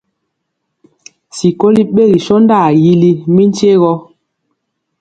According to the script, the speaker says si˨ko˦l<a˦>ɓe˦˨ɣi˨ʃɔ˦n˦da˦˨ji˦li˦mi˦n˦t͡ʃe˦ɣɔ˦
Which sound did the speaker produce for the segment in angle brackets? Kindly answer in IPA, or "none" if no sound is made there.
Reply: i˦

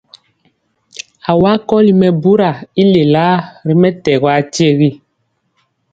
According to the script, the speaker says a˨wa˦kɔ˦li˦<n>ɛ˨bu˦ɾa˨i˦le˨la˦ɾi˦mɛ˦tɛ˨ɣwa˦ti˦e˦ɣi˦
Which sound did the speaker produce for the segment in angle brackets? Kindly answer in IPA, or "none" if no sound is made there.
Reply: m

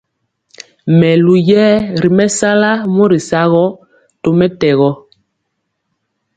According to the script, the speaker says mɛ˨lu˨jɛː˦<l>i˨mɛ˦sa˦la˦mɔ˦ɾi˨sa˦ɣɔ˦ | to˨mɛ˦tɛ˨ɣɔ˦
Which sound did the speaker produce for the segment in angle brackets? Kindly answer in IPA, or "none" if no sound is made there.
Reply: ɾ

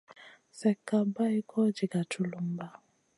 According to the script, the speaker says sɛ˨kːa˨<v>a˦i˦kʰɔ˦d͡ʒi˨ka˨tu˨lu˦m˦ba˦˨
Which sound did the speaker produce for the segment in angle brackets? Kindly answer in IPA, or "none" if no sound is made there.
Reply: b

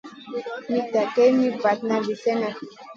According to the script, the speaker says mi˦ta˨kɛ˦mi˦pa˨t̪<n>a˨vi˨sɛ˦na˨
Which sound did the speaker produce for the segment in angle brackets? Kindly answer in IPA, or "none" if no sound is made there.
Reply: n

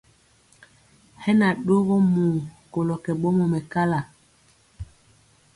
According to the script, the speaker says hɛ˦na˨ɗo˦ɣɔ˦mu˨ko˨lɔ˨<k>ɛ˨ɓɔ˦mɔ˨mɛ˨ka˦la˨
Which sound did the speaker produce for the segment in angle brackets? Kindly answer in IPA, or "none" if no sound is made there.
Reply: k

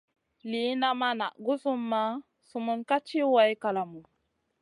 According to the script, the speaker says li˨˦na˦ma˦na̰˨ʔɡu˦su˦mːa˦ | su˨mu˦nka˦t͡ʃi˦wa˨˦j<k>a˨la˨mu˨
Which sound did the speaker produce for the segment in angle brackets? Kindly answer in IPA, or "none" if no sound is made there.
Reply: k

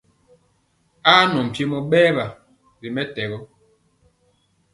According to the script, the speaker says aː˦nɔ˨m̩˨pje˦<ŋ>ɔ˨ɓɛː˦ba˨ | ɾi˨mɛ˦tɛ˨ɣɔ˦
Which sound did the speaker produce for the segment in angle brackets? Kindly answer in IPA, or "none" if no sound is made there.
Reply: m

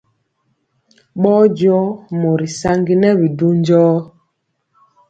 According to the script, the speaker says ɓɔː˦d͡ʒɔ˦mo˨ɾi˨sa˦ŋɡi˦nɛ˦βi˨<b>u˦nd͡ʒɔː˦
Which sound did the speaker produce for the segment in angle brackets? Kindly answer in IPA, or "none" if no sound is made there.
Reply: d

